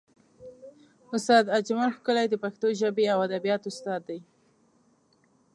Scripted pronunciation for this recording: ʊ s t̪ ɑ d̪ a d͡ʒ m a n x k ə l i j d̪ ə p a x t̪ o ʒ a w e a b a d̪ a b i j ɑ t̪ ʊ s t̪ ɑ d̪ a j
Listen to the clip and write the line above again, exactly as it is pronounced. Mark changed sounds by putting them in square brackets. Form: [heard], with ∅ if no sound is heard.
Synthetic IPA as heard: ʊ s t̪ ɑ d̪ a d͡ʒ m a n x k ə l [a] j d̪ ə p a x t̪ o ʒ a [b] e a [w] a d̪ a b i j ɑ t̪ ʊ s t̪ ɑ [d̪ː] a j